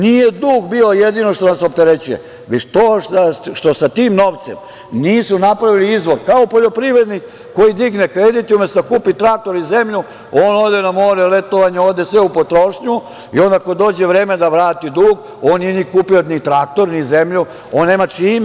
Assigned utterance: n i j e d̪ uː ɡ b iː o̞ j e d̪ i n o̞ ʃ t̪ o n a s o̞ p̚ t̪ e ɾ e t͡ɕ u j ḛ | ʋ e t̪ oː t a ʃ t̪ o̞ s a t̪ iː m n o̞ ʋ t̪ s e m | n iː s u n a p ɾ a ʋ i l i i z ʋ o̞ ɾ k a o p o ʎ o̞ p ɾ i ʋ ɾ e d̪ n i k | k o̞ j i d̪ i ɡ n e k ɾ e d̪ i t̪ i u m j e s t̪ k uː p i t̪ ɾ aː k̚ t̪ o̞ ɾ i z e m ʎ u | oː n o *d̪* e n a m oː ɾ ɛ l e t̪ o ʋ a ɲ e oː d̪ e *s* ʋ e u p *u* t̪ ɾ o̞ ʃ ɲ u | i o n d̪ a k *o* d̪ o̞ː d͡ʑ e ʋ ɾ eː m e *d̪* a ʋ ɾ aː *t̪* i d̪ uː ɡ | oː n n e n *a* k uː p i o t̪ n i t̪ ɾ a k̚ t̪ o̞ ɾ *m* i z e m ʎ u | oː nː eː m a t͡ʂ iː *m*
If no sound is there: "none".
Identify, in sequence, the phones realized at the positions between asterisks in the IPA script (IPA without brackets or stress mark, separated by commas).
d̪, s, o, o, d̪, t̪, i, n, m